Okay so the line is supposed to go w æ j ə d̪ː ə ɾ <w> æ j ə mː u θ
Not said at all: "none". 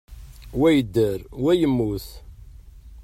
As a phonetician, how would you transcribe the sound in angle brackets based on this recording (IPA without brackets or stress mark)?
w